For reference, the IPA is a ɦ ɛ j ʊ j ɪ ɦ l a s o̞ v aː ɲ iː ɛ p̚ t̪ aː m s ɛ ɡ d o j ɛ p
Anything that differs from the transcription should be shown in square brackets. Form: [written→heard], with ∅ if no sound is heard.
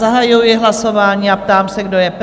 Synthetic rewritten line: a ɦ [ɛ→a] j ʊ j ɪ ɦ l a s o̞ v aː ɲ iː [ɛ→a] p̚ t̪ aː m s ɛ ɡ d o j ɛ p